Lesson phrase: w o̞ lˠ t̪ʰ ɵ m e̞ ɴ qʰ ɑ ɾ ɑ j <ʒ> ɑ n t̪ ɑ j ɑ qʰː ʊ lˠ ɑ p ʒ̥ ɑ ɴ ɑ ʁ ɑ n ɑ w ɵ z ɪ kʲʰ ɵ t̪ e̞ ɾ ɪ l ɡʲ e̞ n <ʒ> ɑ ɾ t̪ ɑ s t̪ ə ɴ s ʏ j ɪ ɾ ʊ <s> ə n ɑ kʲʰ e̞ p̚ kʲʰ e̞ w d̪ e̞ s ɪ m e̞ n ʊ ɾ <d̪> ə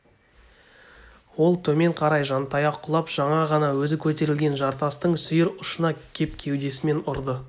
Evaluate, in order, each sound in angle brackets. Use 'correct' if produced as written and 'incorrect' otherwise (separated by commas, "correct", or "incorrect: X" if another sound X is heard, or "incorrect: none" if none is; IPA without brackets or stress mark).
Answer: correct, correct, incorrect: ʃ, correct